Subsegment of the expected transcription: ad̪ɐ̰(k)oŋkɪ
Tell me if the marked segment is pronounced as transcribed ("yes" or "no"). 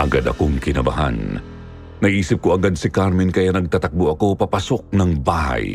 yes